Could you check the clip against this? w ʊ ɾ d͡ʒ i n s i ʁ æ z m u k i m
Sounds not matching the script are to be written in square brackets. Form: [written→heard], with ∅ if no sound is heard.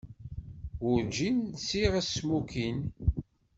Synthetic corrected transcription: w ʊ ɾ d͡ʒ i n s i ʁ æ [z→s] m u k i [m→n]